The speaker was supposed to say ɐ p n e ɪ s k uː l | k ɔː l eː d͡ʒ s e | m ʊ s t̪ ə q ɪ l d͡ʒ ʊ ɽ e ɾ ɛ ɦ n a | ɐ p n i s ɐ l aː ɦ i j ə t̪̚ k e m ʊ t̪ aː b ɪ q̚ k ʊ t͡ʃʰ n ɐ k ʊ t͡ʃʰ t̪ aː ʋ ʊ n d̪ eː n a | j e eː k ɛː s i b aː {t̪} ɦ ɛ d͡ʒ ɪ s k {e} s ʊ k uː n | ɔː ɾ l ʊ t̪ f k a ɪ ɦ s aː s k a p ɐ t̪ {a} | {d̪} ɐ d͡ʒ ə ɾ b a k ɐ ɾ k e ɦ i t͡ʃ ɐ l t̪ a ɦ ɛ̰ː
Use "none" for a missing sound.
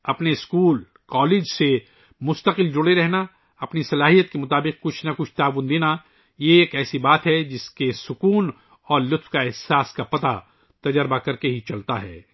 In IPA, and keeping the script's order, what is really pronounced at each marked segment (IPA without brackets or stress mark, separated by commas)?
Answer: t̪, e, a, t̪